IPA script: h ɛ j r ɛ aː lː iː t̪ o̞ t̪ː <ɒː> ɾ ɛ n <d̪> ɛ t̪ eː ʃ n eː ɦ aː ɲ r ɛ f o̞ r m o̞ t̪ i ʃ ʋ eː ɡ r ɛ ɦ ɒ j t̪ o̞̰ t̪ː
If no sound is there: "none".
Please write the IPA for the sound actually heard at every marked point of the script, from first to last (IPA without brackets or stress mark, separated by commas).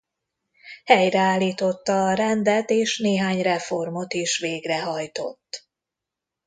ɒː, d̪